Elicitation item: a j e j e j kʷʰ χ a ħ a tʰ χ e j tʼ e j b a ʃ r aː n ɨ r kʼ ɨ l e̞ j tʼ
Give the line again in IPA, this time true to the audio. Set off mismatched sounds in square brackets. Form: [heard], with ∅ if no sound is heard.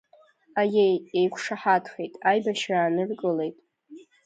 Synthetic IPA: a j e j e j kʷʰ [ʂ] a ħ a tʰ χ e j tʼ [a] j b a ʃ r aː n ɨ r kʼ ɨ l e̞ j tʼ